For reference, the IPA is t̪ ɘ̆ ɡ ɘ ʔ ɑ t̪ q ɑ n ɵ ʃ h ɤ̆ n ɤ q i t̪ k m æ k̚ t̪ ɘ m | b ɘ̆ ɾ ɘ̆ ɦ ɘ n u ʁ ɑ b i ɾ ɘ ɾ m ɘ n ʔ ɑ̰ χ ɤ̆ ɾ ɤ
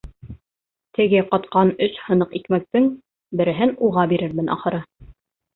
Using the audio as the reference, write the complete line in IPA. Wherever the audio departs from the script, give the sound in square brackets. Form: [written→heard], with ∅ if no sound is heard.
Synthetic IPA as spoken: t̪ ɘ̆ ɡ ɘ [ʔ→q] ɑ t̪ q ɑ n ɵ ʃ h ɤ̆ n ɤ q i [t̪→∅] k m æ k̚ t̪ ɘ [m→ŋ] | b ɘ̆ ɾ ɘ̆ ɦ ɘ n u ʁ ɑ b i ɾ ɘ ɾ m ɘ n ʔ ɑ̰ χ ɤ̆ ɾ ɤ